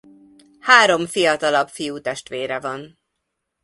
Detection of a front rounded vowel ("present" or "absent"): absent